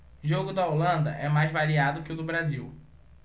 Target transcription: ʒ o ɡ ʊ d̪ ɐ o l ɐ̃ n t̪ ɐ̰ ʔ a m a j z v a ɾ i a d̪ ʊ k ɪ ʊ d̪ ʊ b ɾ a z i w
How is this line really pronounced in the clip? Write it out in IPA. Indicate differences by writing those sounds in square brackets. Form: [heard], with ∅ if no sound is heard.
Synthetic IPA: ʒ o ɡ ʊ d̪ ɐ o l ɐ̃ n [d̪] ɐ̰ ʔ [ɛ] m a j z v a ɾ i a d̪ ʊ k ɪ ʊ d̪ ʊ b ɾ a z i w